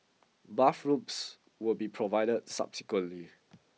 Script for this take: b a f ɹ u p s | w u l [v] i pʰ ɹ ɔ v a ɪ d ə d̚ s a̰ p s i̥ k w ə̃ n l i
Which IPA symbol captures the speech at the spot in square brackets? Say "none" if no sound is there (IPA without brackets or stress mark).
b